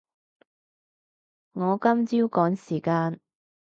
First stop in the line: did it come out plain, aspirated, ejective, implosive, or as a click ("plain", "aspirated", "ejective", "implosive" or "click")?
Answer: plain